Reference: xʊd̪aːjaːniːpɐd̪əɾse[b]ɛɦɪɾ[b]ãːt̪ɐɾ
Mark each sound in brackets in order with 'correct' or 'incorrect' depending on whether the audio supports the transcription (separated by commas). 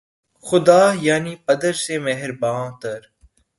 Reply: incorrect, correct